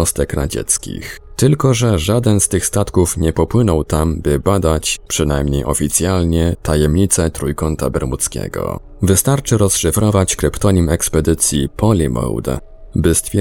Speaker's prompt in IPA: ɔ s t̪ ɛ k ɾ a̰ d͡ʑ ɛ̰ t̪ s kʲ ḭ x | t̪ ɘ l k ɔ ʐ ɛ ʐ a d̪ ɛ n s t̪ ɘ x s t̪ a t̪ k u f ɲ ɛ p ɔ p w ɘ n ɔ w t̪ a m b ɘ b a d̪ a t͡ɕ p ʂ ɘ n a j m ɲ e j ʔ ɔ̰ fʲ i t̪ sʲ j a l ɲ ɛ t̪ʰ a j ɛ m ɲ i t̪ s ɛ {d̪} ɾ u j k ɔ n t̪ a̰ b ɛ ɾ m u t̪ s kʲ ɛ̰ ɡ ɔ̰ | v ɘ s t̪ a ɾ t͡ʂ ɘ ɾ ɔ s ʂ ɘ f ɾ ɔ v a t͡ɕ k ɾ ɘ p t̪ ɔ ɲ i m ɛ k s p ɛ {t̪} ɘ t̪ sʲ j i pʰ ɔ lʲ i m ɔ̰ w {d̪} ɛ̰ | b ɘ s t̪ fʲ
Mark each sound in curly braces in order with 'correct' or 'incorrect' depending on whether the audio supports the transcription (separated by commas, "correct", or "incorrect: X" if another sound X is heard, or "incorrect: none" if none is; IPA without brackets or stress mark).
incorrect: t̪, incorrect: d̪, correct